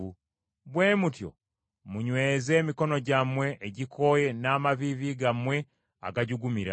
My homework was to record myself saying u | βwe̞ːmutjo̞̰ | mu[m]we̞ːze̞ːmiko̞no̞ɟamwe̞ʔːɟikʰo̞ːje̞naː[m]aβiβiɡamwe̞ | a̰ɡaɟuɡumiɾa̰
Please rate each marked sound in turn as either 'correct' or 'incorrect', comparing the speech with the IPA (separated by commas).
incorrect, correct